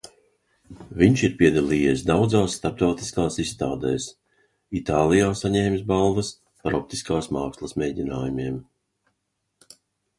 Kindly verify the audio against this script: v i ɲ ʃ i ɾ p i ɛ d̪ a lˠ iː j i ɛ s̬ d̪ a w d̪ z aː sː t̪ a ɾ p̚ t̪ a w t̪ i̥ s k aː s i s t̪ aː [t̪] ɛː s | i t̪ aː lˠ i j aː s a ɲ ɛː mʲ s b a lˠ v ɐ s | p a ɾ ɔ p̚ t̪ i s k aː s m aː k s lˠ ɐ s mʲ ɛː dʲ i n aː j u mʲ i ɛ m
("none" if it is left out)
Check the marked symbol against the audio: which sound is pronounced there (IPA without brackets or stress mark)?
d̪